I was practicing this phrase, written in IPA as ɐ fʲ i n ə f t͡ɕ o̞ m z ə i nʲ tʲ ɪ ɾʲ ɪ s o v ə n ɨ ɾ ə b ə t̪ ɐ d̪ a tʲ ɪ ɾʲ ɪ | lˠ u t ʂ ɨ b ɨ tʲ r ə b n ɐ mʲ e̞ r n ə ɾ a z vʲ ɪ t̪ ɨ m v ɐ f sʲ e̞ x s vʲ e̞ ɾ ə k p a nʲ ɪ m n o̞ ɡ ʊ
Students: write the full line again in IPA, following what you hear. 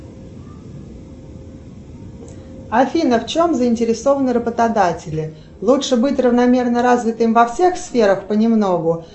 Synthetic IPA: ɐ fʲ i n ə f t͡ɕ o̞ m z ə ɪ nʲ tʲ ɪ ɾʲ ɪ s o v ə n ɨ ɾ ə b ə t̪ ɐ d̪ a tʲ ɪ lʲ ɪ | lˠ u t ʂ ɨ b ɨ tʲ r ə v n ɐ mʲ e̞ r n ə ɾ a z vʲ ɪ t̪ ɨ m v ɐ f sʲ e̞ x s fʲ e̞ ɾ ə x p ə nʲ ɪ m n o̞ ɡ ʊ